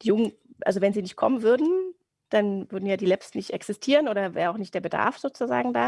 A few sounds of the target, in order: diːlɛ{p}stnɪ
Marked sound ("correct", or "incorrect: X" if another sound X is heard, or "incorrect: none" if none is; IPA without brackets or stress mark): correct